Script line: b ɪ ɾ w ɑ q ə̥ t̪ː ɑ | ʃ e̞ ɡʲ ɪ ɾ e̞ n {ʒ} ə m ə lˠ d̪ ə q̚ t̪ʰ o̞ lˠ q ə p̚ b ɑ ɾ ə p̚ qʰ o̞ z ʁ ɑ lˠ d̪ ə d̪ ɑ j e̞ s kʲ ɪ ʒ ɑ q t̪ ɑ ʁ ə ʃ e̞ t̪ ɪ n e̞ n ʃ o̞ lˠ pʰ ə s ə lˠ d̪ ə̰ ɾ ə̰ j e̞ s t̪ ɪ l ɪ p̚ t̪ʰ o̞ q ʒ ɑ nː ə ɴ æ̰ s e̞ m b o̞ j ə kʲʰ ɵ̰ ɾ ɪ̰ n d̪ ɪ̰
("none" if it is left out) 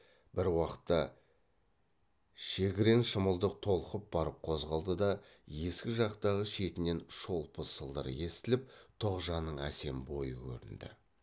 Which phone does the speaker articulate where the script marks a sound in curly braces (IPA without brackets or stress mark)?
ʃ